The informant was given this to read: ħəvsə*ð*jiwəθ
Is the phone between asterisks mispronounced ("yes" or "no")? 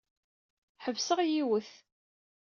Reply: yes